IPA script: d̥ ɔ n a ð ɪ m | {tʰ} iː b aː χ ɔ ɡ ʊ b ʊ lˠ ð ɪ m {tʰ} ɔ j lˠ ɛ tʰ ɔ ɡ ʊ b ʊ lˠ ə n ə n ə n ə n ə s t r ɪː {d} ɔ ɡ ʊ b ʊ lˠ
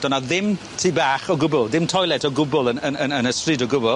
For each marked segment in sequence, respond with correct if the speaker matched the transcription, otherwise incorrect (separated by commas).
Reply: correct, correct, correct